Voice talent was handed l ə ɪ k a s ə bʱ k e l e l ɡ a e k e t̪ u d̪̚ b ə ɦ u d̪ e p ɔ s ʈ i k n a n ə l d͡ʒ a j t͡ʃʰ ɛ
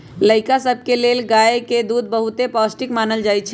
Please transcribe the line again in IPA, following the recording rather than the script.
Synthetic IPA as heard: l ə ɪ k a s ə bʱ k e l e l ɡ a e k e d̪ u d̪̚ b ə ɦ u t̪ e p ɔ s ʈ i k m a n ə l d͡ʒ a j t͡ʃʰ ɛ